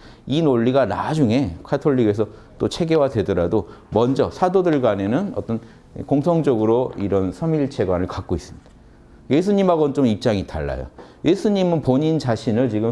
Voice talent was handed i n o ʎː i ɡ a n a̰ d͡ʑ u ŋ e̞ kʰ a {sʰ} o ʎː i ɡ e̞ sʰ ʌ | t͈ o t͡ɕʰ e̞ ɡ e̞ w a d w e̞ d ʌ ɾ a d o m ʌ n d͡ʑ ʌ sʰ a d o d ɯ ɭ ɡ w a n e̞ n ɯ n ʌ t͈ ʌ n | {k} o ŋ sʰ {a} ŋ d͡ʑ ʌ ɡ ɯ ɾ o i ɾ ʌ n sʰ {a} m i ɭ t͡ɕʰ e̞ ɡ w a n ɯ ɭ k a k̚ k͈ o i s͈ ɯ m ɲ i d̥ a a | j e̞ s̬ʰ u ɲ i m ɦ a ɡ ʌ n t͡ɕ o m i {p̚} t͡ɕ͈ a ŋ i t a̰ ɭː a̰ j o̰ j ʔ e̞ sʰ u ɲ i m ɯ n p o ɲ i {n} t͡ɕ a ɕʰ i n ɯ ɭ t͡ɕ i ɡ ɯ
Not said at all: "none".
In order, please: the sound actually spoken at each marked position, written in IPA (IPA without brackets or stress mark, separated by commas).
tʰ, k, ʌ, ʌ, p̚, n